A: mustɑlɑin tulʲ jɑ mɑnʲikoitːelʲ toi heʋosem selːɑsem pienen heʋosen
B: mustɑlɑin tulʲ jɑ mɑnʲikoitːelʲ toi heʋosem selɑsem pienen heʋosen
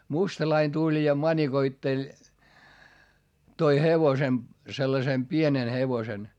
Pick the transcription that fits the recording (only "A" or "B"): A